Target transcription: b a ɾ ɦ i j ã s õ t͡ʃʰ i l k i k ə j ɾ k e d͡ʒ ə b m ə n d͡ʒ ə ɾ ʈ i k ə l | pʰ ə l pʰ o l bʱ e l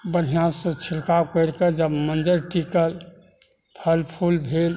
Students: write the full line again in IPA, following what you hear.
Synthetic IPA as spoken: b ə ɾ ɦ i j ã s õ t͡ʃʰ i l k a k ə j ɾ k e d͡ʒ ə b m ə n d͡ʒ ə ɾ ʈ i k ə l | pʰ ə l pʰ u l bʱ e l

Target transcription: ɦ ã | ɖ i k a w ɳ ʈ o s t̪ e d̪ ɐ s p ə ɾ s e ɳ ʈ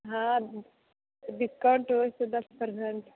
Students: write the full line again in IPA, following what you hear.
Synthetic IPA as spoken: ɦ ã | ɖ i k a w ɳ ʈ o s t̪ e d̪ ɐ s p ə ɾ s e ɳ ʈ

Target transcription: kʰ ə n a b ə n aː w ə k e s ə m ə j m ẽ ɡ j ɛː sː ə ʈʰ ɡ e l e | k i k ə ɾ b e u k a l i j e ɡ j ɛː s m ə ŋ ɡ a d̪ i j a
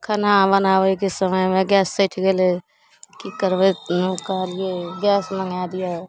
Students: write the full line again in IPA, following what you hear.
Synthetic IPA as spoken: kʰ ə n a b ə n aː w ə k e s ə m ə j m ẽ ɡ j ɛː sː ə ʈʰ ɡ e l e | k i k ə ɾ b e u k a l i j e ɡ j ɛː s m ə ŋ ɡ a d̪ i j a

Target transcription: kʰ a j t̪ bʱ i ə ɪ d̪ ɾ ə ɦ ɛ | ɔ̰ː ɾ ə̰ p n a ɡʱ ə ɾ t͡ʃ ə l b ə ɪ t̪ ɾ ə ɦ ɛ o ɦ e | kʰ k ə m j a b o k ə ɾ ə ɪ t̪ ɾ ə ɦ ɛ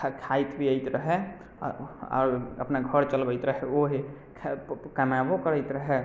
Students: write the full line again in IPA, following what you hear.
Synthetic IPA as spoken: kʰ a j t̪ bʱ i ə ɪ t̪ ɾ ə ɦ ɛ | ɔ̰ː ɾ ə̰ p n a ɡʱ ə ɾ t͡ʃ ə l b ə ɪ t̪ ɾ ə ɦ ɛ o ɦ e | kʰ k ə m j a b o k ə ɾ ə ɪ t̪ ɾ ə ɦ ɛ

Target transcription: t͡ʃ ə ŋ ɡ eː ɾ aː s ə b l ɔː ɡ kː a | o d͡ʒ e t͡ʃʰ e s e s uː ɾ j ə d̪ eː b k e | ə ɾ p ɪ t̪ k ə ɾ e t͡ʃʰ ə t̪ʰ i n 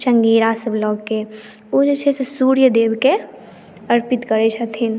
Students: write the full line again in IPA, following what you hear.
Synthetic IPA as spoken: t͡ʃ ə ŋ ɡ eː ɾ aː s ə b l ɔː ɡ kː e | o d͡ʒ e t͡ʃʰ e s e s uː ɾ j ə d̪ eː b k e | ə ɾ p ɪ t̪ k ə ɾ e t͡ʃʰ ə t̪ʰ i n

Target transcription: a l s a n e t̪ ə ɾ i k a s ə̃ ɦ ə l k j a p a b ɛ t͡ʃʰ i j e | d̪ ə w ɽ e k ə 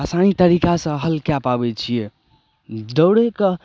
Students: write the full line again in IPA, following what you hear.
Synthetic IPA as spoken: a s a n i t̪ ə ɾ i k a s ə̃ ɦ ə l k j a p a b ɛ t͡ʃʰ i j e | d̪ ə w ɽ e k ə

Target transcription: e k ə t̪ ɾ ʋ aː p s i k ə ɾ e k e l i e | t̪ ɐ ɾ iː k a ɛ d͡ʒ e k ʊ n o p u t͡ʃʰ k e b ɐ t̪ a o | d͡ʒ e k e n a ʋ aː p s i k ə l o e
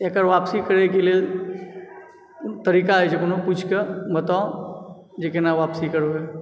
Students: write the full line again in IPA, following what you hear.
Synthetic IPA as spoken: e k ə ɾ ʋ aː p s i k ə ɾ e k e l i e | t̪ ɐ ɾ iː k a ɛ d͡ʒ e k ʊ n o p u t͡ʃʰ k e b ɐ t̪ a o | d͡ʒ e k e n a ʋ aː p s i k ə ɾ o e

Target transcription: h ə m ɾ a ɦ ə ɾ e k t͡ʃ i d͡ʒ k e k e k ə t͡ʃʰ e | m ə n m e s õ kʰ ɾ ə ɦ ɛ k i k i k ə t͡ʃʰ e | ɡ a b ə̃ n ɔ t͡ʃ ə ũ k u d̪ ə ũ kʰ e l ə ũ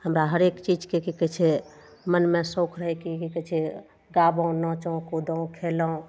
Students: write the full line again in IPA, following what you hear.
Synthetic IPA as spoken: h ə m ɾ a ɦ ə ɾ e k t͡ʃ i d͡ʒ k e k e k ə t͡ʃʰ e | m ə n m e s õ kʰ ɾ ə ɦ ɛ k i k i k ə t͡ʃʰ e | ɡ a b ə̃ n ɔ t͡ʃ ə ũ k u d̪ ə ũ kʰ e l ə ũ

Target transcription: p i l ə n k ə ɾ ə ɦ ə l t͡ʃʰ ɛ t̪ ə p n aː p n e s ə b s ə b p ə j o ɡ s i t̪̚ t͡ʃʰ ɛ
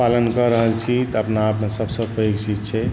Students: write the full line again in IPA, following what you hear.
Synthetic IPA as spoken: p a l ə n k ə ɾ ə ɦ ə l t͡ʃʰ i t̪ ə p n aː p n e s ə b s ə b p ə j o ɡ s i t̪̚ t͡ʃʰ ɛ

